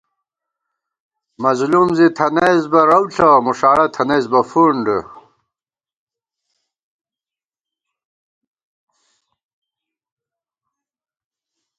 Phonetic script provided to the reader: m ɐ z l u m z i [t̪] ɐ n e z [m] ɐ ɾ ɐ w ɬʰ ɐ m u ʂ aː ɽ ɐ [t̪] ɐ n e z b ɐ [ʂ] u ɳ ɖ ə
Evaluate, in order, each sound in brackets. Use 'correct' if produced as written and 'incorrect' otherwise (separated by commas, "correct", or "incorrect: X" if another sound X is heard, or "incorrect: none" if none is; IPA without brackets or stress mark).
incorrect: t̪ʰ, incorrect: b, incorrect: t̪ʰ, incorrect: f